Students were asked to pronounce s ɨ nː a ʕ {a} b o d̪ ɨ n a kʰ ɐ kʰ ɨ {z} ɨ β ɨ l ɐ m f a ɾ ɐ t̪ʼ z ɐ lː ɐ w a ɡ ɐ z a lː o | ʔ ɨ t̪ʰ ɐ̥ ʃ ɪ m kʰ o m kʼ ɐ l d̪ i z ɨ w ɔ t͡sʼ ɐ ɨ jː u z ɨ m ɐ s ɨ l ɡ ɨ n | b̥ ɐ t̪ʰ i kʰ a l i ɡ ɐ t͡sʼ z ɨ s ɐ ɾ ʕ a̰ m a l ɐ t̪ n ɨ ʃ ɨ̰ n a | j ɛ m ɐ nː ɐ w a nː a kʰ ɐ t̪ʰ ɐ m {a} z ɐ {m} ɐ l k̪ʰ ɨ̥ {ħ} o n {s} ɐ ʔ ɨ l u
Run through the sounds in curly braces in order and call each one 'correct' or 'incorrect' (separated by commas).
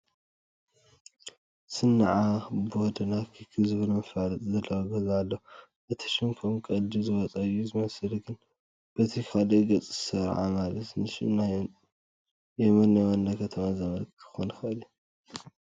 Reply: correct, correct, correct, correct, incorrect, incorrect